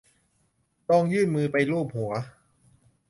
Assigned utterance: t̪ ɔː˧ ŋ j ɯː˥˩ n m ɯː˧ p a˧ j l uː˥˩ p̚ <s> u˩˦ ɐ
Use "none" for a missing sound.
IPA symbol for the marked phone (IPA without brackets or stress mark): h